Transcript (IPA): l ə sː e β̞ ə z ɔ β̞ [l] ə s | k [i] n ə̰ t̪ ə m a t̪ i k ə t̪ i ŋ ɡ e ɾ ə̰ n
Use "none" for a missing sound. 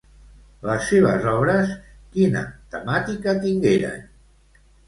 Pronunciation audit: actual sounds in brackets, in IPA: ɾ, i

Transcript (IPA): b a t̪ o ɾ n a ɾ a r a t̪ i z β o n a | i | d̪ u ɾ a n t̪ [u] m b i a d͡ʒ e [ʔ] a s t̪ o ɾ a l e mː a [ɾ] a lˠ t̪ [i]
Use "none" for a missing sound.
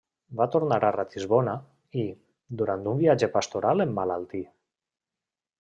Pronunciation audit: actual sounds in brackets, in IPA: u, p, l, i

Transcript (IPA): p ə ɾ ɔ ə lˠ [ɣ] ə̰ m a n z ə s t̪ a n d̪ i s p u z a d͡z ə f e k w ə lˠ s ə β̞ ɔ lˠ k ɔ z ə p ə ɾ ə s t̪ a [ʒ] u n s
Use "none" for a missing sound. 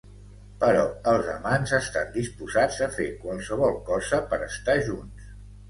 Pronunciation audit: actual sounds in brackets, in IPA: z, ʒ

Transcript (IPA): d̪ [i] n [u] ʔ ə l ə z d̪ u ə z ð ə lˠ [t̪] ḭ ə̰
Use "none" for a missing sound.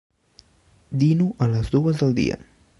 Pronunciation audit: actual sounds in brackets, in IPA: i, u, d̪

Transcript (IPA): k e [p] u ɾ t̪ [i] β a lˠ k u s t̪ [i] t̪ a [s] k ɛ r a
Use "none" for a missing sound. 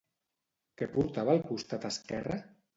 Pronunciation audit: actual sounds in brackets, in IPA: p, a, a, s

